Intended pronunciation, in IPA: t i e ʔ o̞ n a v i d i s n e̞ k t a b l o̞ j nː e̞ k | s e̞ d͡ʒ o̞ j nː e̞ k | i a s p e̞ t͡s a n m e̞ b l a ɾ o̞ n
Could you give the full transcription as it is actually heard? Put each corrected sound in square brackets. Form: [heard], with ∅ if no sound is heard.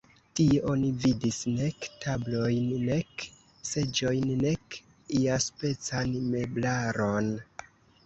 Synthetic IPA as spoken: t i e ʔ o̞ n [i] v i d i s n e̞ k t a b l o̞ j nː e̞ k | s e̞ d͡ʒ o̞ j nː e̞ k | i a s p e̞ t͡s a n m e̞ b l a ɾ o̞ n